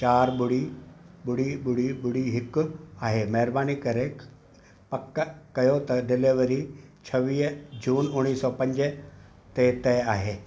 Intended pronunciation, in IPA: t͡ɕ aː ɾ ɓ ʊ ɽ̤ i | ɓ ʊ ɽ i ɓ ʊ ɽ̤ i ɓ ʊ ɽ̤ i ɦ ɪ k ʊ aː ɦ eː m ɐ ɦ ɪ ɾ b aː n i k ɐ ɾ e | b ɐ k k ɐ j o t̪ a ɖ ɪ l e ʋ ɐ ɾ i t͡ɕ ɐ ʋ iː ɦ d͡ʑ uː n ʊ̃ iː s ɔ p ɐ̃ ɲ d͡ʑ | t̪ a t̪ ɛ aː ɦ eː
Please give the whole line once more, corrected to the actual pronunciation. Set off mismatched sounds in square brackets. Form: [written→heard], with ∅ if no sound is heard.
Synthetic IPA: t͡ɕ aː ɾ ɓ ʊ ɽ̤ i | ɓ ʊ ɽ i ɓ ʊ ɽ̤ i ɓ ʊ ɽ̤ i ɦ ɪ k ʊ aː ɦ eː m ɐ ɦ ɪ ɾ b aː n i k ɐ ɾ e | [b→p] ɐ k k ɐ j o t̪ [a→ɐ] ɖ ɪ l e ʋ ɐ ɾ i [t͡ɕ→t͡ɕʰ] ɐ ʋ iː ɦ d͡ʑ uː n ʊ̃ iː s ɔ p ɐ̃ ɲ d͡ʑ | t̪ [a→e] t̪ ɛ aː ɦ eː